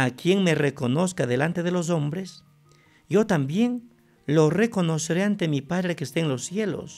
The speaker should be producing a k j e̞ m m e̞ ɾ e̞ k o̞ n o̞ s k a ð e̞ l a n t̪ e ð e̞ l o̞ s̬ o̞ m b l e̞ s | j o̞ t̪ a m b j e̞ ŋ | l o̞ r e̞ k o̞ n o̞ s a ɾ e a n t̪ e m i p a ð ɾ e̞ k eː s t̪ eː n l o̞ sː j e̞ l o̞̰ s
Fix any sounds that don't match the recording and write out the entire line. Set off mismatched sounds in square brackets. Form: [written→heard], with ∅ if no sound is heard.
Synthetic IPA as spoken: a k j e̞ [m→ŋ] m e̞ [ɾ→r] e̞ k o̞ n o̞ s k a ð e̞ l a n t̪ e ð e̞ l o̞ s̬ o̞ m b [l→ɾ] e̞ s | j o̞ t̪ a m b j e̞ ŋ | l o̞ r e̞ k o̞ n o̞ s [a→e] ɾ e a n t̪ e m i p a ð ɾ e̞ k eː s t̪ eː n l o̞ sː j e̞ l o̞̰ s